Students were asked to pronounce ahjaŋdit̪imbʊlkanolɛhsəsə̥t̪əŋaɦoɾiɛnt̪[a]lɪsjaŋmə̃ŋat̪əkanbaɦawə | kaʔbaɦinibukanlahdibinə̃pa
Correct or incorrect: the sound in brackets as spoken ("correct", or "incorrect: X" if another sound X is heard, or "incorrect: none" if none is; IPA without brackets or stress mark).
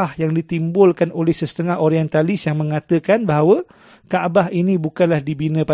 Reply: correct